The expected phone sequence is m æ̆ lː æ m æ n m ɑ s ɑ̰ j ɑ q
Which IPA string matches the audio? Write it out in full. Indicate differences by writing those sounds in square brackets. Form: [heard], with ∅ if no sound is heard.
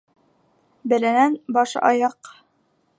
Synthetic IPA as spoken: [b] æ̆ [l] æ [n] æ n [b] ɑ [ʃ] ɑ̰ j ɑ q